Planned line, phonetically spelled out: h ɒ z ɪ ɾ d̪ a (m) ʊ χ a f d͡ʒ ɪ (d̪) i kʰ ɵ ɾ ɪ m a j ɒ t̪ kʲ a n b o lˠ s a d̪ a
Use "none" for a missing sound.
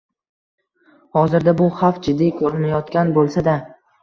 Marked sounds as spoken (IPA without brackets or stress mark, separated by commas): b, d̪ː